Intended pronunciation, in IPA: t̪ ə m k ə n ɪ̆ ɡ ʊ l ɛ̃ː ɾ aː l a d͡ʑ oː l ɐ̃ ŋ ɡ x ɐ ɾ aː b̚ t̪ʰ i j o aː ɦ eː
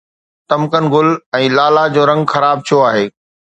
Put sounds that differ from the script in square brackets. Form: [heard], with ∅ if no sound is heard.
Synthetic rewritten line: t̪ [ɐ] m k ə n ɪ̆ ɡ ʊ l ɛ̃ː [l] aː l a d͡ʑ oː [ɾ] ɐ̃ ŋ ɡ x ɐ ɾ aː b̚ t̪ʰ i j o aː ɦ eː